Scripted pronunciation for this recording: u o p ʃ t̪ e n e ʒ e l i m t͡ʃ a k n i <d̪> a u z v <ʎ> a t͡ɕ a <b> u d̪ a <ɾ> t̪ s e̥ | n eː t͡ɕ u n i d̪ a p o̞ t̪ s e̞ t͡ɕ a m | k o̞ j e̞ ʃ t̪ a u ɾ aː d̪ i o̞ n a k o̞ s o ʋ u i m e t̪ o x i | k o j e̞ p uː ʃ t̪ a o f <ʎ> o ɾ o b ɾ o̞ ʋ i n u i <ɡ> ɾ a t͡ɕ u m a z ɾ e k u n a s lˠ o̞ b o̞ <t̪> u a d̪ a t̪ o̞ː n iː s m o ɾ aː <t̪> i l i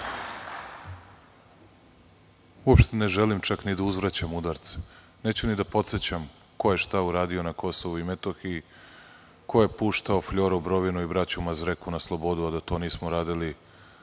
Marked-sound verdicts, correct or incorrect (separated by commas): correct, incorrect, incorrect, correct, correct, incorrect, incorrect, incorrect